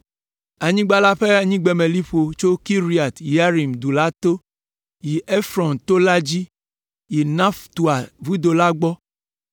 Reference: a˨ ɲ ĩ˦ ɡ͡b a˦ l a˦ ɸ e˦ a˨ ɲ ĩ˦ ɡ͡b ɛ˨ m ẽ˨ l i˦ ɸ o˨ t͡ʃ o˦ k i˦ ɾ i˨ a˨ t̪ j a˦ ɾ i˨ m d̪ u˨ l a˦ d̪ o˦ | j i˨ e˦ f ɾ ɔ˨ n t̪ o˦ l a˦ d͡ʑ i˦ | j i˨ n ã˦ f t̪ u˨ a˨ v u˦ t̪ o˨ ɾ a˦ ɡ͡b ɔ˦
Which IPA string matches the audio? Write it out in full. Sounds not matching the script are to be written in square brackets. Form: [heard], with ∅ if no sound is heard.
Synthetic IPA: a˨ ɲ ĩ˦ ɡ͡b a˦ l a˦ ɸ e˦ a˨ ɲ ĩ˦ ɡ͡b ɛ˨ m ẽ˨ l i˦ ɸ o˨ t͡ʃ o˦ k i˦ ɾ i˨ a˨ t̪ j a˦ ɾ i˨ m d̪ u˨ l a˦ [t̪] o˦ | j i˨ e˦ f ɾ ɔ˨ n t̪ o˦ l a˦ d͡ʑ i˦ | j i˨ n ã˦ f t̪ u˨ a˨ v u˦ [d̪] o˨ [l] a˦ ɡ͡b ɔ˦